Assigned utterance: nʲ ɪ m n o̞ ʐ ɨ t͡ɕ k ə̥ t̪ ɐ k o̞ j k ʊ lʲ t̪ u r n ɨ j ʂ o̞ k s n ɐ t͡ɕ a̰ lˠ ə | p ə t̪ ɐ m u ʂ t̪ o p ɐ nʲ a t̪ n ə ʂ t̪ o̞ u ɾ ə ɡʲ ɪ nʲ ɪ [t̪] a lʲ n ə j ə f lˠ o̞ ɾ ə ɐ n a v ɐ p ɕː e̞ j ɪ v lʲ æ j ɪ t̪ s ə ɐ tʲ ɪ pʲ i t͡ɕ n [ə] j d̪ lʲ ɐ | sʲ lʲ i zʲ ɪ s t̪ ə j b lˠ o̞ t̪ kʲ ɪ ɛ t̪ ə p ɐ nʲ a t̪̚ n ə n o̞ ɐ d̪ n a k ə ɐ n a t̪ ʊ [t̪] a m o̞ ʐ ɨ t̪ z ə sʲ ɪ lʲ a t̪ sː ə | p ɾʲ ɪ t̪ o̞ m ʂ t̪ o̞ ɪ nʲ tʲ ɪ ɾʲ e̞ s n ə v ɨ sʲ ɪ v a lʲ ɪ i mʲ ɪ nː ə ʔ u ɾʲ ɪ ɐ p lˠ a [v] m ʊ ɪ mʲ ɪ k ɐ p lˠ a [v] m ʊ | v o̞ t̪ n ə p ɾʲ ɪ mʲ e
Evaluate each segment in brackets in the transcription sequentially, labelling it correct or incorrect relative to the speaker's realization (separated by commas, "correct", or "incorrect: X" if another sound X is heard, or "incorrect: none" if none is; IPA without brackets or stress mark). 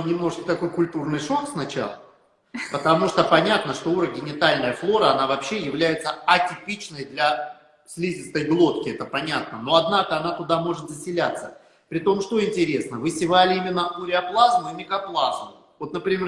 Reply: correct, correct, incorrect: d̪, incorrect: z, incorrect: z